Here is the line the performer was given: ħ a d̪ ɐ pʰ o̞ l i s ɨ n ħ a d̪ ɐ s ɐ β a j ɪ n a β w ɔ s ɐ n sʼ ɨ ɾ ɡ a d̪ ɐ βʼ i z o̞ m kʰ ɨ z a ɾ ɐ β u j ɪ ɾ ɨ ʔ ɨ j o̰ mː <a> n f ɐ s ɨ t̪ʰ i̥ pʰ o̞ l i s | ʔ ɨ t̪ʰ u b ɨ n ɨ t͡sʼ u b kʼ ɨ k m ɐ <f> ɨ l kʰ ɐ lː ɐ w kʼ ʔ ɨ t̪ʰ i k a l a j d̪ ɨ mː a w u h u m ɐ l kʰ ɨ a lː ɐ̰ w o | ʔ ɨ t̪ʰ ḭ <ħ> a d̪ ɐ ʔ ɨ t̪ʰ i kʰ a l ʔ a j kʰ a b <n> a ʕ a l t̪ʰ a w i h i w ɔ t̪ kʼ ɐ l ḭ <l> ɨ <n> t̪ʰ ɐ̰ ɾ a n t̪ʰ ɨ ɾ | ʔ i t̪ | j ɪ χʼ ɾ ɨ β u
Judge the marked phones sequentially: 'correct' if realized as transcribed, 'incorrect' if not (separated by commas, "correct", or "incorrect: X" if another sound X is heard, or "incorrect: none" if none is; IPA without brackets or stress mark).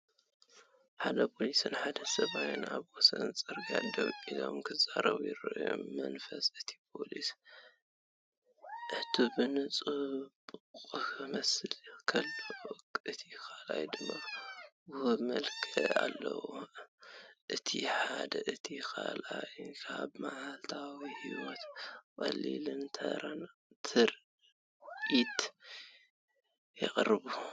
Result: incorrect: ɐ, incorrect: s, correct, incorrect: m, correct, correct